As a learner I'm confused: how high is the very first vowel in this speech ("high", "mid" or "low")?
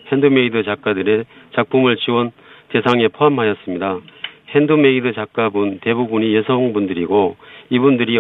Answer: mid